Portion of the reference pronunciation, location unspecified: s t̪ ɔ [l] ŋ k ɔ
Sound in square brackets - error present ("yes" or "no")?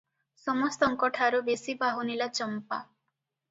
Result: yes